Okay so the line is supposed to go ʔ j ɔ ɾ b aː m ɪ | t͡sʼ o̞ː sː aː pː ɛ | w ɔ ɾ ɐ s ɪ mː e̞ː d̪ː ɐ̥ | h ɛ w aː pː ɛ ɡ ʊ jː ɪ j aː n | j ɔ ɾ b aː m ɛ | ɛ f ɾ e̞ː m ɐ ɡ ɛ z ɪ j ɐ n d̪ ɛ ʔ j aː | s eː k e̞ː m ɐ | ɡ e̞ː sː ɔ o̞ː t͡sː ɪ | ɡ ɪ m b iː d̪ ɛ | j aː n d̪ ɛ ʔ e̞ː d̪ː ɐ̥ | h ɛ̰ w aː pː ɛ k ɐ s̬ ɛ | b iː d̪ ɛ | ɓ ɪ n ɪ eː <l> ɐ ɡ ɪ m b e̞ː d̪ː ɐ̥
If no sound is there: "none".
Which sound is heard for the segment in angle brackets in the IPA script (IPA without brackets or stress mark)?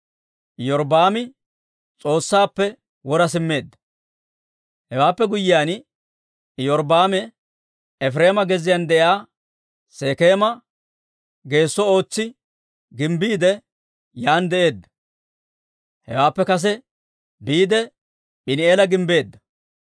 l